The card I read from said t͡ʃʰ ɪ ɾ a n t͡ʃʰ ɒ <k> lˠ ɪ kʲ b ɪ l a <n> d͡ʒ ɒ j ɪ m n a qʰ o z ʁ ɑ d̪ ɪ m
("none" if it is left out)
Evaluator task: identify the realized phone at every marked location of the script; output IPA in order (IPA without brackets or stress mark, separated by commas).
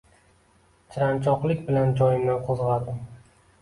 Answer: q, n